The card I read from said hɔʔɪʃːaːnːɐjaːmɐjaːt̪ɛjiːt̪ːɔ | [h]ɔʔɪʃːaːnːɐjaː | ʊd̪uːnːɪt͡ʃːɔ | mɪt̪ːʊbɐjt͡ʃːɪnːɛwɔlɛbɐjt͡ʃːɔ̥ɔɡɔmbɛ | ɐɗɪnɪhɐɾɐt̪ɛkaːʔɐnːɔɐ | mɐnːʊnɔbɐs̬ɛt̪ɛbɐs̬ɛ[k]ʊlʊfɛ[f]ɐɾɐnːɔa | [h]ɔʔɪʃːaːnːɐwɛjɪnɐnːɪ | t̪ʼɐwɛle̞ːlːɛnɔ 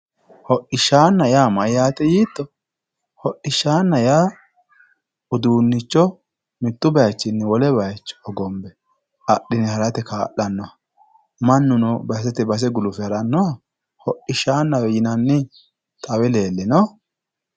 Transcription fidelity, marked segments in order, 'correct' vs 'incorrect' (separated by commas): correct, incorrect, incorrect, correct